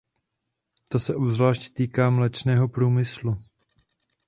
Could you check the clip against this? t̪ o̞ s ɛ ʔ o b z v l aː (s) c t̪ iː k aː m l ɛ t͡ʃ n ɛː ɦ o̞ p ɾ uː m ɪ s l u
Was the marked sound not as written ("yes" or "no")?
yes